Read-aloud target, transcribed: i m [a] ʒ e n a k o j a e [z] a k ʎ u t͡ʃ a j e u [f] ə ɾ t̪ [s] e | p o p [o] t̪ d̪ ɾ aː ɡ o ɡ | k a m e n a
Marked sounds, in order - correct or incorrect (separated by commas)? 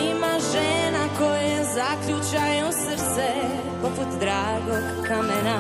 correct, correct, incorrect, correct, incorrect